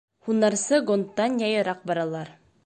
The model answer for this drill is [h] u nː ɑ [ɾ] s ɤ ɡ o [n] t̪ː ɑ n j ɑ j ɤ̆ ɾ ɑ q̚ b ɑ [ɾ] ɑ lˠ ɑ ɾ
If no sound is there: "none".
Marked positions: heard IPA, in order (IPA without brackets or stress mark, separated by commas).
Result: h, ɾ, n, ɾ